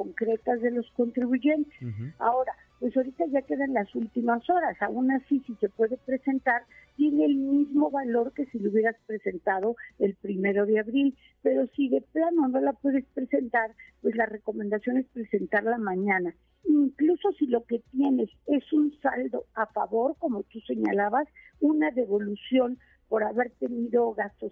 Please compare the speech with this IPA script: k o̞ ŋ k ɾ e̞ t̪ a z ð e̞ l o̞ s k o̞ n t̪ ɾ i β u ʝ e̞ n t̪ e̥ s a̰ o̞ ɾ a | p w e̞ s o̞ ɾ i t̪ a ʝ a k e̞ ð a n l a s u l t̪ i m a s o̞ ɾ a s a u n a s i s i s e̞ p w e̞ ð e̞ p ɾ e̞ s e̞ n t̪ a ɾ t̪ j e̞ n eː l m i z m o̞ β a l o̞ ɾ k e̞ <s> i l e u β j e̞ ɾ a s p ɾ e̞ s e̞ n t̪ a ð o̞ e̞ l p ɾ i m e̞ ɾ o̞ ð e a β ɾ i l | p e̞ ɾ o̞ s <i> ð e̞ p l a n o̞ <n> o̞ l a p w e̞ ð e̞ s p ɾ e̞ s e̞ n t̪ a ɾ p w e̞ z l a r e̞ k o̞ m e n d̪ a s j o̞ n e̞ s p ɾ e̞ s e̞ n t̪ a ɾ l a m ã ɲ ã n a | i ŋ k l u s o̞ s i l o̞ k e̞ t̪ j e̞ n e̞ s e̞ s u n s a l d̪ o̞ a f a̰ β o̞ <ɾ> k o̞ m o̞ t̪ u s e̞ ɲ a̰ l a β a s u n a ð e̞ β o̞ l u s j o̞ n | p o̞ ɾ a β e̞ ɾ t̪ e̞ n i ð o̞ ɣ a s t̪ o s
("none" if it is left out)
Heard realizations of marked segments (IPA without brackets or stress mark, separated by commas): s, i, n, ɾ